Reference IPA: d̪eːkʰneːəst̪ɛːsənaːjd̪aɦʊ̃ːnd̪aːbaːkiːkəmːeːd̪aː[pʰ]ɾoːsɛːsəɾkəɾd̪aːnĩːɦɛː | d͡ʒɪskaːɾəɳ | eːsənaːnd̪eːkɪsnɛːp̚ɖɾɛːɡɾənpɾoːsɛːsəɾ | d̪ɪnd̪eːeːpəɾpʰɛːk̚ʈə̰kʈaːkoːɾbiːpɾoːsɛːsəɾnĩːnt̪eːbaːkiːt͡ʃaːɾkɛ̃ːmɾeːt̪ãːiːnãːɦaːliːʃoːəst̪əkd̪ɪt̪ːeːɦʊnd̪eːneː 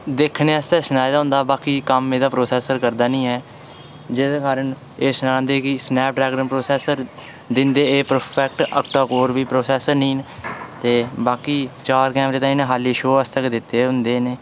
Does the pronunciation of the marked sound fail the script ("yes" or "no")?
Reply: yes